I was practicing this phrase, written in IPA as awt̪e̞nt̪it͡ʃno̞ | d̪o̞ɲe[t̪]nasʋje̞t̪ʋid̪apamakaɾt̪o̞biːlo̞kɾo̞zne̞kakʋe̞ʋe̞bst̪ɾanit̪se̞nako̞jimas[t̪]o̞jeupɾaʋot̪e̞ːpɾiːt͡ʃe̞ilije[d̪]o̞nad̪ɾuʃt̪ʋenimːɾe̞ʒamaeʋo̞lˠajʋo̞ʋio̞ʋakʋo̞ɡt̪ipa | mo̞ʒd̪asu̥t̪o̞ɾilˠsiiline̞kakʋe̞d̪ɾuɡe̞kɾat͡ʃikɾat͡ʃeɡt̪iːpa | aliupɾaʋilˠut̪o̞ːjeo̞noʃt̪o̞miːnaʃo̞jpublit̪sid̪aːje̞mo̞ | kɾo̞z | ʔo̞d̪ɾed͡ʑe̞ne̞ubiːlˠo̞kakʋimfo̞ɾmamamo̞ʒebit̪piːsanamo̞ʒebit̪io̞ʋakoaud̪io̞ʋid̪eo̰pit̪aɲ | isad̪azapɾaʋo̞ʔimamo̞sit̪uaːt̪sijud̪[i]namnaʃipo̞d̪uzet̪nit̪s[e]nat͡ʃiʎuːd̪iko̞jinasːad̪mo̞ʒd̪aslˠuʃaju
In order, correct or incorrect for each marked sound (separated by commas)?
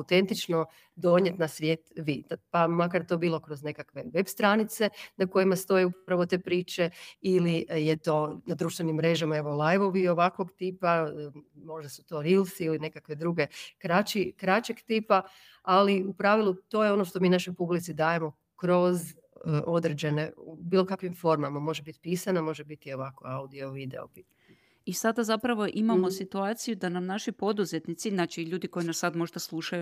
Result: correct, correct, incorrect, incorrect, incorrect